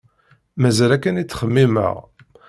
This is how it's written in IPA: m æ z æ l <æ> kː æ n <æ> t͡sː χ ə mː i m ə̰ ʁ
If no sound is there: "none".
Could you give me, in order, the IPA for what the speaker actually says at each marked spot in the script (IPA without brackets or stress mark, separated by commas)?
æ, i